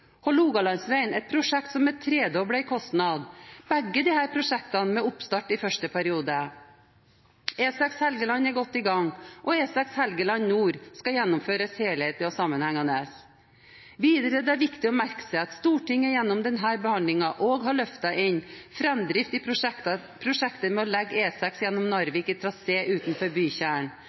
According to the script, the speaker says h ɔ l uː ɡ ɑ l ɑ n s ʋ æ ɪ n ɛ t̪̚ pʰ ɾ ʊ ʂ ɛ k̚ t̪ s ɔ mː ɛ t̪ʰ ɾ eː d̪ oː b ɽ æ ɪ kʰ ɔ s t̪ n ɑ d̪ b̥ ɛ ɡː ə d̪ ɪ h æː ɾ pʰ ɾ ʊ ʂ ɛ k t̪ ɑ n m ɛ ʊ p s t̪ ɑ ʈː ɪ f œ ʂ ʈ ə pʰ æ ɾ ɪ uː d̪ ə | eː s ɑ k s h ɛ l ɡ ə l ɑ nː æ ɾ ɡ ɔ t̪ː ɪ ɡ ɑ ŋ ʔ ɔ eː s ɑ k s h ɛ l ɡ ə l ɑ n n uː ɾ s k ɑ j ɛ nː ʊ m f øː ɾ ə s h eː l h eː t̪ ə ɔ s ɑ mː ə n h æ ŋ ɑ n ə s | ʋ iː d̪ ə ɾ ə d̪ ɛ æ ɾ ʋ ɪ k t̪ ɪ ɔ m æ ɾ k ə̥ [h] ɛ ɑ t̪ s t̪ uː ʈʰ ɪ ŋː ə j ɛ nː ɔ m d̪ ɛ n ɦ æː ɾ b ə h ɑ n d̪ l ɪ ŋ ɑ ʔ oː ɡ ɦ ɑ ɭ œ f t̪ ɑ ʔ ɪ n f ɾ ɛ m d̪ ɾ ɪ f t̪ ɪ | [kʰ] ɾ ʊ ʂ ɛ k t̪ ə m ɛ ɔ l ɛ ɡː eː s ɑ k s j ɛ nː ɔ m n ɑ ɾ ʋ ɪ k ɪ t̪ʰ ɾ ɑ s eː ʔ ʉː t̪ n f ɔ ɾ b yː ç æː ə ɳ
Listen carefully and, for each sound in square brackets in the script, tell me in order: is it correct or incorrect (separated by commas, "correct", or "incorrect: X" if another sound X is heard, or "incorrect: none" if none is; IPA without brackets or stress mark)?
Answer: incorrect: s, incorrect: pʰ